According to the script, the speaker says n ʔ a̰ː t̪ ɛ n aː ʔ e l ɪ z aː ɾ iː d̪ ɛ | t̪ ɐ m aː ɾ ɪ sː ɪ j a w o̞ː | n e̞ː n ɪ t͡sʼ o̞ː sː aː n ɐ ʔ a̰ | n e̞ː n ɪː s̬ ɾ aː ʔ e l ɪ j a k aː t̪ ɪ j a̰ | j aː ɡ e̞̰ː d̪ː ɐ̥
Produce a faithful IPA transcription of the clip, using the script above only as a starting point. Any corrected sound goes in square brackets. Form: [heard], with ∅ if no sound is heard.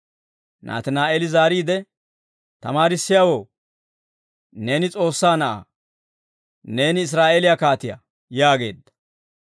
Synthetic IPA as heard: n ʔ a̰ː t̪ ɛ n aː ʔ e l ɪ z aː ɾ iː d̪ ɛ | t̪ ɐ m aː ɾ ɪ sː ɪ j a w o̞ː | n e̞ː n ɪ t͡sʼ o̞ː sː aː n ɐ ʔ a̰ | n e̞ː n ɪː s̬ ɾ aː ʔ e l ɪ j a k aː t̪ ɪ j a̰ | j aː ɡ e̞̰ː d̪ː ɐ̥